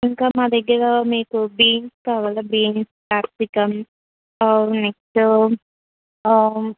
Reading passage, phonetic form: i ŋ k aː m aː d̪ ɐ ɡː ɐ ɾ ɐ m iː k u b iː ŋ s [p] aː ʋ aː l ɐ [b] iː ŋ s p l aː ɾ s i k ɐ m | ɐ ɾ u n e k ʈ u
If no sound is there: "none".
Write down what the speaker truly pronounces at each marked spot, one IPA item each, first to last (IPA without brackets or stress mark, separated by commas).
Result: k, b